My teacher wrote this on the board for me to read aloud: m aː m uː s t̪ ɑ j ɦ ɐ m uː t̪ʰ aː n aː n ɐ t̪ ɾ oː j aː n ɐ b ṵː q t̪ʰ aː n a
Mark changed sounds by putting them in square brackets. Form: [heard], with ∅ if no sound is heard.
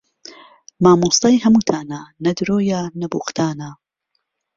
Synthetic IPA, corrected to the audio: m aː m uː s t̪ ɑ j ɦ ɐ m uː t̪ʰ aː n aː n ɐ [d̪] ɾ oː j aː n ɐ b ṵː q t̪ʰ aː n a